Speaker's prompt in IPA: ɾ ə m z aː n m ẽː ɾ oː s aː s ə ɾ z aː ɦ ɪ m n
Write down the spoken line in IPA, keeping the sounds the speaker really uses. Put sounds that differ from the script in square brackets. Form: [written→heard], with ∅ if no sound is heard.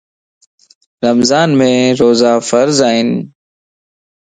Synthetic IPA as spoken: ɾ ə m z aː n m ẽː ɾ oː [s→z] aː [s→f] ə ɾ z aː ɦ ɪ [m→∅] n